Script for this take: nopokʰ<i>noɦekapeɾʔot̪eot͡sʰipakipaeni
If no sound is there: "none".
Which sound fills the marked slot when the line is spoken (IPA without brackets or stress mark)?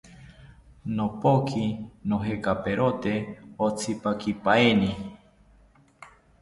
i